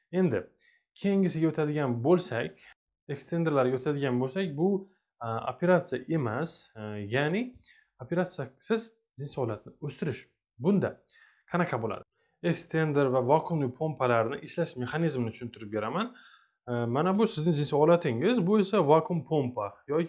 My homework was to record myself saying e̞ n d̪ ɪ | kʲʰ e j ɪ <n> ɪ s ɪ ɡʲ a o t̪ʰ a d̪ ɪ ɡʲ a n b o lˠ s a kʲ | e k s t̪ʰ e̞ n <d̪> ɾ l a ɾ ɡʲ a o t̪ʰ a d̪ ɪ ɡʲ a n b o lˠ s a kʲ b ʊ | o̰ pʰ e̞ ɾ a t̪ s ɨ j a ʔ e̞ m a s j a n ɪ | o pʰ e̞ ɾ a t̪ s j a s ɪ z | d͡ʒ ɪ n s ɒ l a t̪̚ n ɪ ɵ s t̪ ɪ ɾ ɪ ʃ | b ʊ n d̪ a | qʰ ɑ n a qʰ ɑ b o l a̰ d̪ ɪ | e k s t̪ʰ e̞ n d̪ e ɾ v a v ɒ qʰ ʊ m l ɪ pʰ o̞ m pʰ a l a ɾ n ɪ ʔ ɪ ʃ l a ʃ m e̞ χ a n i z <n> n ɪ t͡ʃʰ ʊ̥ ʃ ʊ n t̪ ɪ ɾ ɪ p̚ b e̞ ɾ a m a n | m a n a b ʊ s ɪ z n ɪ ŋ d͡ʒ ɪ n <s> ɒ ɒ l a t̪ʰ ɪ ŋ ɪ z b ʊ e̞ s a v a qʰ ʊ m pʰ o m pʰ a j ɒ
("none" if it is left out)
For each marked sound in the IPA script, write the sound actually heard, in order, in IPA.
ŋ, d̪, m, s

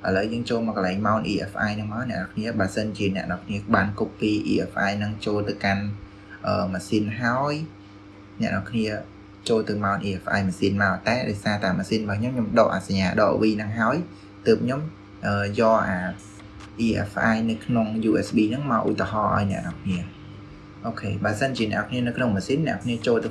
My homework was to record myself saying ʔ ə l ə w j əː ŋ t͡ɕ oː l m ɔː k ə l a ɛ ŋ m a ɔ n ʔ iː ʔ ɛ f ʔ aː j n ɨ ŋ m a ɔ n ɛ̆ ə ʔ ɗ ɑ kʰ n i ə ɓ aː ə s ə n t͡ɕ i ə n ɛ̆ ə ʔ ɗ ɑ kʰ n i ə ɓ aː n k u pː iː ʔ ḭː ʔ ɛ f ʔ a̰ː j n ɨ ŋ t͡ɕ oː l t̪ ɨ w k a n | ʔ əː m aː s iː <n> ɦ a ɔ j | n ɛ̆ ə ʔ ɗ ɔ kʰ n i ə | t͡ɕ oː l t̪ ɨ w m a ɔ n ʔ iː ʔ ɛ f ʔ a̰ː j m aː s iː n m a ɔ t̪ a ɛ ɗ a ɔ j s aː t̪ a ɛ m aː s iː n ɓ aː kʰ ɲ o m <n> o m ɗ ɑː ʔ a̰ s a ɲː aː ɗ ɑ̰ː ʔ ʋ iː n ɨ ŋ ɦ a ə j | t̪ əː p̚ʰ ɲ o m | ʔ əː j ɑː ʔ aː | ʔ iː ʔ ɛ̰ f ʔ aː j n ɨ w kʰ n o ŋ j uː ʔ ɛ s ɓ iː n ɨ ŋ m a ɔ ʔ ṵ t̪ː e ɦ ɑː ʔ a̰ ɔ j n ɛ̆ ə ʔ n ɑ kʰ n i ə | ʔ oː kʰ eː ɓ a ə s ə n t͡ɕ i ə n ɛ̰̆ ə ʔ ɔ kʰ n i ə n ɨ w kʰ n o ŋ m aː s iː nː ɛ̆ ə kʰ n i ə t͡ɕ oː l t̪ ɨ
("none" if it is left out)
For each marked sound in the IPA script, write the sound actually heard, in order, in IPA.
n, ɲ

